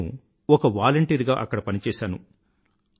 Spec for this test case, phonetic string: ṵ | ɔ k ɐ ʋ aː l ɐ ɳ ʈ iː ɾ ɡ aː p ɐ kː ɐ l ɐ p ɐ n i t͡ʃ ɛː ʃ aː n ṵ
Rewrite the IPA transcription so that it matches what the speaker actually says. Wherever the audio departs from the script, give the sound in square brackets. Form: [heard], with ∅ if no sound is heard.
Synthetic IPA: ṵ | ɔ k ɐ ʋ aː l ɐ ɳ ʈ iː ɾ ɡ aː [ʔ] ɐ kː ɐ [ɽ] ɐ p ɐ n i t͡ʃ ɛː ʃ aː n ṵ